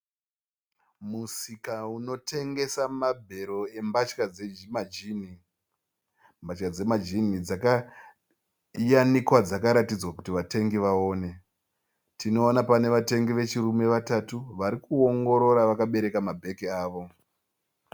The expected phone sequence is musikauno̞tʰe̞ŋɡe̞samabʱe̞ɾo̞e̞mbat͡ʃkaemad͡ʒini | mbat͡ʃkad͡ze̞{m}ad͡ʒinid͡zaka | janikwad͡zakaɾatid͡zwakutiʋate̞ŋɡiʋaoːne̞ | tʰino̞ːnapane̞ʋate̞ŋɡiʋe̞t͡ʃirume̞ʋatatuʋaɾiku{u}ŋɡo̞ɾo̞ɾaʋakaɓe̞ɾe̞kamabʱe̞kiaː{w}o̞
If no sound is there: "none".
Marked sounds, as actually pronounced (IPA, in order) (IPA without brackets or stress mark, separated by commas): m, o, ʋ